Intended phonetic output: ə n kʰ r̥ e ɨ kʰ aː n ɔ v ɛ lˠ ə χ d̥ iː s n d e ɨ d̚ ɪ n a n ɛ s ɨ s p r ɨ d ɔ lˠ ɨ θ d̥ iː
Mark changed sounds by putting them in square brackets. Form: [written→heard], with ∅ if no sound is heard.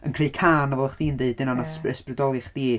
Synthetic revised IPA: ə n kʰ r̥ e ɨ kʰ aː n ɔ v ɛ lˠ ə χ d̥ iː [s→∅] n d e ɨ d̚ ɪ n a n [ɛ→a] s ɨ s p r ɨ d ɔ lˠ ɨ [θ→χ] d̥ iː